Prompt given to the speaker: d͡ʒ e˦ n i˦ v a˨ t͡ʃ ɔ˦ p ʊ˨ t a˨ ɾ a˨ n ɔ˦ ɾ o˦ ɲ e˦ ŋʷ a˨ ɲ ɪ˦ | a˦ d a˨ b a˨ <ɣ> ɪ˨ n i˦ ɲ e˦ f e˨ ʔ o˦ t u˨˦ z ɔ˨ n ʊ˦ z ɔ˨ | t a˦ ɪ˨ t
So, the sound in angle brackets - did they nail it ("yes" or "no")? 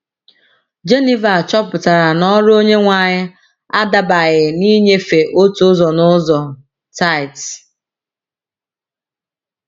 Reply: yes